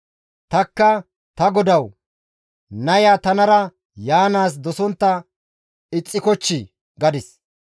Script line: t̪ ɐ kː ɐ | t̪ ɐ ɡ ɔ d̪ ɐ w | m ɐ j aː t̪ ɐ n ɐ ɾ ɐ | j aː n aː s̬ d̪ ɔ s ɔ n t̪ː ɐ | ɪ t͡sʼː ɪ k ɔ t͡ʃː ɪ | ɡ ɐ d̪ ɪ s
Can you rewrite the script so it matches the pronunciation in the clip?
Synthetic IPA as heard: t̪ ɐ kː ɐ | t̪ ɐ ɡ ɔ d̪ ɐ w | n ɐ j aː t̪ ɐ n ɐ ɾ ɐ | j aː n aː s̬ d̪ ɔ s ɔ n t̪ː ɐ | ɪ t͡sʼː ɪ k ɔ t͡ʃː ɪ | ɡ ɐ d̪ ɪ s